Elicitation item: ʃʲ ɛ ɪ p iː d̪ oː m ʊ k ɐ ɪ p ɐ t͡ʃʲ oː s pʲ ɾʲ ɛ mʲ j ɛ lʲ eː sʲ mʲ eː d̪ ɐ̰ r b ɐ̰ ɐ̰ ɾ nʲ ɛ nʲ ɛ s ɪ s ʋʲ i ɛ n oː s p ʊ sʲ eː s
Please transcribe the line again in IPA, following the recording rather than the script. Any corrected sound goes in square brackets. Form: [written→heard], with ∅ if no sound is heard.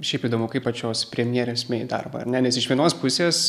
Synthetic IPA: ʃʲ ɛ ɪ p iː d̪ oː m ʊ k ɐ ɪ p ɐ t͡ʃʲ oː s pʲ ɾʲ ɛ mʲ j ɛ [lʲ→ɾʲ] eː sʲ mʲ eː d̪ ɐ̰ r b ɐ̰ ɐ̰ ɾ nʲ ɛ nʲ ɛ s ɪ [s→ʃ] ʋʲ i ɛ n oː s p ʊ sʲ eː s